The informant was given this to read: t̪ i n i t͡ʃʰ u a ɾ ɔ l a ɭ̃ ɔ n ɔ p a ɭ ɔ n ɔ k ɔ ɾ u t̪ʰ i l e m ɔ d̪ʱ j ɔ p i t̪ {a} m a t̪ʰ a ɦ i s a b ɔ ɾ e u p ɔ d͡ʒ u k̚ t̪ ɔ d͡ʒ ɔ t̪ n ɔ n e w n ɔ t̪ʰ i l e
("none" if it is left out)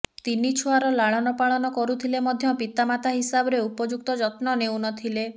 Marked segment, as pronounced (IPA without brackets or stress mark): a